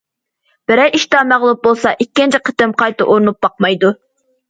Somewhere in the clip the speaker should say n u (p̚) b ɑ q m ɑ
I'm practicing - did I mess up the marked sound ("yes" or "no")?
no